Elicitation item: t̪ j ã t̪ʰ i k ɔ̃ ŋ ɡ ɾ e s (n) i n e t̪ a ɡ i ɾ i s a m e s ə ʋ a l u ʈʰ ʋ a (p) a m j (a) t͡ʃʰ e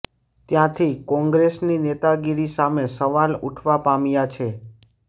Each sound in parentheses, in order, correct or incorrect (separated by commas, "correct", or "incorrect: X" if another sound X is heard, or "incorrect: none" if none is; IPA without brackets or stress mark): correct, correct, correct